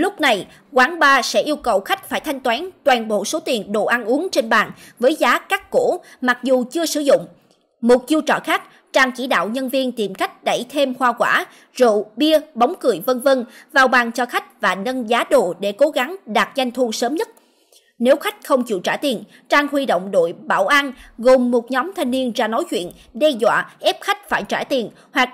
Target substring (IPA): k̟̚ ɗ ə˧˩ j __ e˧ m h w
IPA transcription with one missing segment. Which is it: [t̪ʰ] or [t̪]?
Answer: t̪ʰ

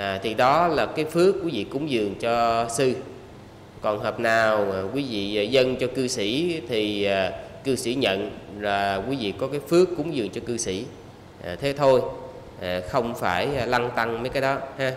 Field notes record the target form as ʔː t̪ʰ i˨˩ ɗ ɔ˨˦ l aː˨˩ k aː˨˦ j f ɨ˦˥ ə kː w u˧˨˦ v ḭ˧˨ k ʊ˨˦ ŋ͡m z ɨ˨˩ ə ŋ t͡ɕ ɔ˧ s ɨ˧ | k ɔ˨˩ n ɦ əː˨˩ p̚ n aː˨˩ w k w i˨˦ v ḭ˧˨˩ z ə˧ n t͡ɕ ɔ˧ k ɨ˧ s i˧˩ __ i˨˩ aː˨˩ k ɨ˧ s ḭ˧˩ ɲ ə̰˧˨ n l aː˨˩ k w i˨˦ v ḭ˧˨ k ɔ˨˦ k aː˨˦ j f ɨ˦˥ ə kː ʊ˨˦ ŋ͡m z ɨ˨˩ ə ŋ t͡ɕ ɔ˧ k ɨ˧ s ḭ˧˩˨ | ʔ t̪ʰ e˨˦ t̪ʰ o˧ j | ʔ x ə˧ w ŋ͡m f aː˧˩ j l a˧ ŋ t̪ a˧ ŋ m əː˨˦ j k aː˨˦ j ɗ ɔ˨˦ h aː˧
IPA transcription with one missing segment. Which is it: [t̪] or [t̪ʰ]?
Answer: t̪ʰ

